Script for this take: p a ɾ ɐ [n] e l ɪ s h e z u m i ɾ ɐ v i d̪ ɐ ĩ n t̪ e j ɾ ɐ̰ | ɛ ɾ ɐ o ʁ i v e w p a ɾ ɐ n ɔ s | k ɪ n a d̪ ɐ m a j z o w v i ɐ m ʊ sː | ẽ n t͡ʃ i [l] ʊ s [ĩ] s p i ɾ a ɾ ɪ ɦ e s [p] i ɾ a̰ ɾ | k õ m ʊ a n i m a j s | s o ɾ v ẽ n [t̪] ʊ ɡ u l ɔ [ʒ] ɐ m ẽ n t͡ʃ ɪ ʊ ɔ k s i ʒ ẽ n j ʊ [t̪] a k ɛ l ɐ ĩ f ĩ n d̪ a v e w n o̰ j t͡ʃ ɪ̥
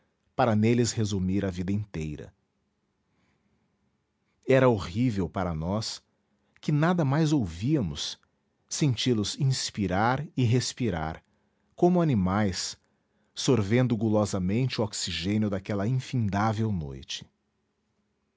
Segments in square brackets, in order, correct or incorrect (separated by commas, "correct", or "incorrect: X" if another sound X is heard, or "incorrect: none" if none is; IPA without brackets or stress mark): correct, correct, correct, correct, incorrect: d̪, incorrect: z, incorrect: d̪